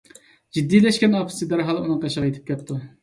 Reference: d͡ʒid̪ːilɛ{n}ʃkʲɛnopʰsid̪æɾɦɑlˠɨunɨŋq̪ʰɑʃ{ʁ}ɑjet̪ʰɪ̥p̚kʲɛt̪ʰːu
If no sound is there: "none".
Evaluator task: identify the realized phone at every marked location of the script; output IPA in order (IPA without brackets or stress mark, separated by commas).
none, ʁ